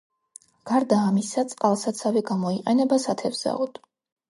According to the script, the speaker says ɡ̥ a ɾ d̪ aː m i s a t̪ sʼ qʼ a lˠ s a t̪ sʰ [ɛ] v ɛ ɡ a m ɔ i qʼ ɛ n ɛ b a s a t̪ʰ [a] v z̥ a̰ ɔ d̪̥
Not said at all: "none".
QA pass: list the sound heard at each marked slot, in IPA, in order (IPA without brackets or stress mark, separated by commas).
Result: a, ɛ